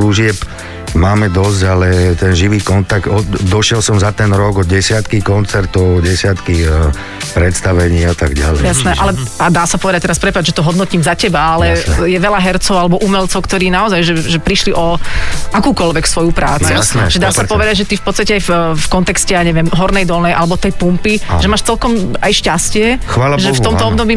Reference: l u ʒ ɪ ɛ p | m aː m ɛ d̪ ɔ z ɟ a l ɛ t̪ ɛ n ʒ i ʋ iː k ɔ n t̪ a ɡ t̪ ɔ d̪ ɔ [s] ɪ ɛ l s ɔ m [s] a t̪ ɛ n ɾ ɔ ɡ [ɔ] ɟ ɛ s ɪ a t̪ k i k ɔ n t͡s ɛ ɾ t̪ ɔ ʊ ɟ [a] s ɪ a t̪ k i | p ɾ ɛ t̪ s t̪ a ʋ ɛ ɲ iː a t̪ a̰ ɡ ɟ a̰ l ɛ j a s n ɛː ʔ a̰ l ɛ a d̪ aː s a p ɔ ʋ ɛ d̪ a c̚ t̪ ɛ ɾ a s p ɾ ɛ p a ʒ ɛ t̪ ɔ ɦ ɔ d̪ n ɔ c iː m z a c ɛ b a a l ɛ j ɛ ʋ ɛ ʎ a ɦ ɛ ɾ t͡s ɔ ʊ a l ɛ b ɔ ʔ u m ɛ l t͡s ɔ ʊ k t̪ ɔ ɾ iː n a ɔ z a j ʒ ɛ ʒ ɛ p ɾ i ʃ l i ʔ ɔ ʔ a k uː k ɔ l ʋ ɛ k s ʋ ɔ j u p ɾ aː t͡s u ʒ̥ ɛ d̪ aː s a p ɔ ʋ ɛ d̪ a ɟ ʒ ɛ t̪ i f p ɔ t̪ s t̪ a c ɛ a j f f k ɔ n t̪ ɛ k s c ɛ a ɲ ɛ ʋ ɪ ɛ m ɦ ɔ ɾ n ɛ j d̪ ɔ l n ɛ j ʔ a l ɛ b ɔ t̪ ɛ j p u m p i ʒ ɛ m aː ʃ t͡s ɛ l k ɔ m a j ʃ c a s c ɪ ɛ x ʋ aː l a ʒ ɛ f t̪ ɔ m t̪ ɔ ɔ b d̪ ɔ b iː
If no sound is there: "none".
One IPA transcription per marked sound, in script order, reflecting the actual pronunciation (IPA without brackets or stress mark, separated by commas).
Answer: ʃ, z, ɔ, ɛ